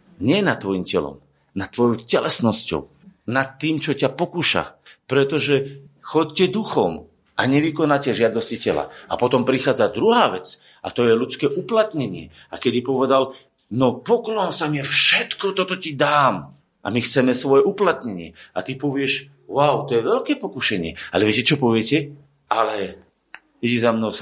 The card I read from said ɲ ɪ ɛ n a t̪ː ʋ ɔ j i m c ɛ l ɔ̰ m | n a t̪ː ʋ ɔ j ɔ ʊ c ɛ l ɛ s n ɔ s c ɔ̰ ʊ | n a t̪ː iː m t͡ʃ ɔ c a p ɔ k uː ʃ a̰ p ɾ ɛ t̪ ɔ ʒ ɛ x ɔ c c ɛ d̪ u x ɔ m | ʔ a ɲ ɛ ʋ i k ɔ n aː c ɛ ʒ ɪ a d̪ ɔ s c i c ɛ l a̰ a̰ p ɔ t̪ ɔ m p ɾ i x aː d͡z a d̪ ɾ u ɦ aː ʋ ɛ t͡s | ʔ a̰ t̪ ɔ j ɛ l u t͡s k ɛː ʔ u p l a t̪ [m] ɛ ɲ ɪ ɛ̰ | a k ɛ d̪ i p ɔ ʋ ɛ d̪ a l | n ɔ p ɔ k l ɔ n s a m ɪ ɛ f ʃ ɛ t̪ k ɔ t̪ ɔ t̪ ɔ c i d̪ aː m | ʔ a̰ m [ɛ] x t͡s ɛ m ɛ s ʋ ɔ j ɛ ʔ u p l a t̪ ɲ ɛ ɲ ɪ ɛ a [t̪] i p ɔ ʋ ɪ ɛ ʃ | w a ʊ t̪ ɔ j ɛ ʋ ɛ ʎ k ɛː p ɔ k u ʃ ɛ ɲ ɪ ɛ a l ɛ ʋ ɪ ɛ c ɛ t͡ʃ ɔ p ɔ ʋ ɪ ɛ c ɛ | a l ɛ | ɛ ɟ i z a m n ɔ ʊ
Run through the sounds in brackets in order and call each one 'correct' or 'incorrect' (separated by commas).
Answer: incorrect, incorrect, correct